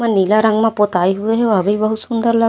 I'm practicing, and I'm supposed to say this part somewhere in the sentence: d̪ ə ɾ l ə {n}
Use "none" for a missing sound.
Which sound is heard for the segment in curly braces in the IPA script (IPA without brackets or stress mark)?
none